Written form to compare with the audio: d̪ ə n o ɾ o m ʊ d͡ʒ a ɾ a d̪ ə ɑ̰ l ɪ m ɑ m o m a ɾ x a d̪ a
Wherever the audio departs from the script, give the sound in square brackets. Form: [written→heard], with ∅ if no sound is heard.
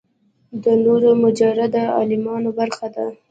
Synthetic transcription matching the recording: d̪ ə n o ɾ o m ʊ d͡ʒ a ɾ a d̪ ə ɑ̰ l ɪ m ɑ [m→n] o [m→b] a ɾ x a d̪ a